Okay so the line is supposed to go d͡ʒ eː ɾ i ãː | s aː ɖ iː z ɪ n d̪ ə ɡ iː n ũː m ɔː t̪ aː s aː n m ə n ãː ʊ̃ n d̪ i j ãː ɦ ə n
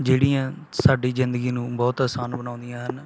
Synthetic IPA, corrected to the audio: d͡ʒ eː ɽ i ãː | s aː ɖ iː z ɪ n d̪ ə ɡ iː n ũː b ɔː t̪ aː s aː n b ə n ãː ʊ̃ n d̪ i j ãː ɦ ə n